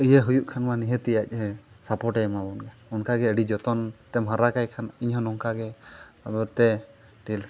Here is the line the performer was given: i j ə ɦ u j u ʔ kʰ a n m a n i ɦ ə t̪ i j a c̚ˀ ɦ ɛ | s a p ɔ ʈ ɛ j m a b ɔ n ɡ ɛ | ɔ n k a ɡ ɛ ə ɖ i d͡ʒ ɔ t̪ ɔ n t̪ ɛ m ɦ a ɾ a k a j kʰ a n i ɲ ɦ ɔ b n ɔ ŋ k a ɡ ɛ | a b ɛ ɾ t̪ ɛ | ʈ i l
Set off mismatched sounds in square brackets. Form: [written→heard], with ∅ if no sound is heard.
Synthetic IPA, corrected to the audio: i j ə ɦ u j u ʔ kʰ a n m a n i ɦ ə t̪ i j a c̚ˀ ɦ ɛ | s a p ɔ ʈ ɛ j m a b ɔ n ɡ ɛ | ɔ n k a ɡ ɛ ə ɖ i d͡ʒ ɔ t̪ ɔ n t̪ ɛ m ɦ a ɾ a k a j kʰ a n i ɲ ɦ ɔ [b→∅] n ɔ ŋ k a ɡ ɛ | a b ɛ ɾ t̪ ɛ | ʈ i l